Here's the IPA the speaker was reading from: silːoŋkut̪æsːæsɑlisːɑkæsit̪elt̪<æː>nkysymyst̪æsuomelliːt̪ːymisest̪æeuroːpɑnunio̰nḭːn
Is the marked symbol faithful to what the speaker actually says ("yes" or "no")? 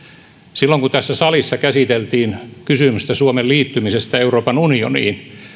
no